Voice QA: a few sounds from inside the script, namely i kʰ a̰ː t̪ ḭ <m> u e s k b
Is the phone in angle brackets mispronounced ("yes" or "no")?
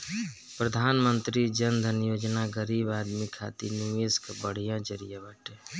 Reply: yes